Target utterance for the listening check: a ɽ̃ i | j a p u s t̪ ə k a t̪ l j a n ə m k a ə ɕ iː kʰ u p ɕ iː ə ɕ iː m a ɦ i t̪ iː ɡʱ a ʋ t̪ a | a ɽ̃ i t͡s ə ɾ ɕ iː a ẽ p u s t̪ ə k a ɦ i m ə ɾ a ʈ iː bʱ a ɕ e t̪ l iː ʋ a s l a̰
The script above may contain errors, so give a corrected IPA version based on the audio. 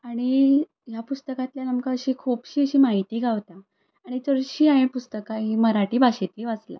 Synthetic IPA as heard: a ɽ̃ i | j a p u s t̪ ə k a t̪ l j a n ə m k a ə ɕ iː kʰ u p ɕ iː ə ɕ iː m a ɦ i t̪ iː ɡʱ a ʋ t̪ a | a ɽ̃ i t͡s ə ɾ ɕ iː a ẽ p u s t̪ ə k a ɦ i m ə ɾ a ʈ iː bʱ a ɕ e t̪ l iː ʋ a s l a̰